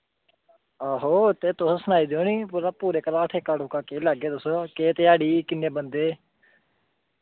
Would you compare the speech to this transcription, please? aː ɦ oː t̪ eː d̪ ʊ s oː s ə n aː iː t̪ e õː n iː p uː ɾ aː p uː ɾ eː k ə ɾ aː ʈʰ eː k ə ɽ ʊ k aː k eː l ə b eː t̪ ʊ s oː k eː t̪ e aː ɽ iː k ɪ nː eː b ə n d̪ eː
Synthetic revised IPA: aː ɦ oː t̪ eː t̪ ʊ s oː s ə n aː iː d̪ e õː n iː p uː ɾ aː p uː ɾ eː k ə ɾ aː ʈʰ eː k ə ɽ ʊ k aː k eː l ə ɡ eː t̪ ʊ s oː k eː t̪ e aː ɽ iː k ɪ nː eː b ə n d̪ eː